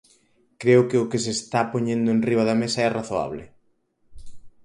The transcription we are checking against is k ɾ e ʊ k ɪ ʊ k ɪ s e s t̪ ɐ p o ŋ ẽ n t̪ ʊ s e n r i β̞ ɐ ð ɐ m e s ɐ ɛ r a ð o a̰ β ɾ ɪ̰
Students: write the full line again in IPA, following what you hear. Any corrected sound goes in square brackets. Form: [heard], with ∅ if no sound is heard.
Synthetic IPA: k ɾ e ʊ k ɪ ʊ k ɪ s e s t̪ [a] p o [ɲ] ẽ n [d̪] ʊ [∅] e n r i β̞ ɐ ð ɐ m e s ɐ ɛ r a [θ] o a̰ β [l] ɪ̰